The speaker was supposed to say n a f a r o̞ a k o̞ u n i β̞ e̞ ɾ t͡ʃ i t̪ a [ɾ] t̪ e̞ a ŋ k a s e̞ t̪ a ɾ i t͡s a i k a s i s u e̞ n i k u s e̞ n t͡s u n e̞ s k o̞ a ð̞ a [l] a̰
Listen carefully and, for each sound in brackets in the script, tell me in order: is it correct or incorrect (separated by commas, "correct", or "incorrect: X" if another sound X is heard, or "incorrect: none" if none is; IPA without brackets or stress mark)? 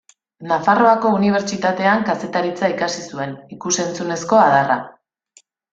incorrect: none, incorrect: r